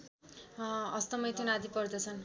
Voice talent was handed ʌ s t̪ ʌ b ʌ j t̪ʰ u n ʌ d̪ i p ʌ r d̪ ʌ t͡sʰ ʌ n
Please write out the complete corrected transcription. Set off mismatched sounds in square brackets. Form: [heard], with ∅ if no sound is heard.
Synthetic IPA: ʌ s t̪ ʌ [m] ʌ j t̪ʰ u n [a] d̪ i p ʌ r d̪ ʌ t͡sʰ ʌ n

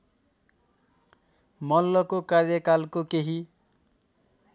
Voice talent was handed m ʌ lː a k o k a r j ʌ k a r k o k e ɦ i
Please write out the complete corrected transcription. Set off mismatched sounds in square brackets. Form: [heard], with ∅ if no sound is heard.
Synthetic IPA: m ʌ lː [ʌ] k o k a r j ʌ k a [l] k o k e ɦ i

